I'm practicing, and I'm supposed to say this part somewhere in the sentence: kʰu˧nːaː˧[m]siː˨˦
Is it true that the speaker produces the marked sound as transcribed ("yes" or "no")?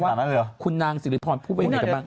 no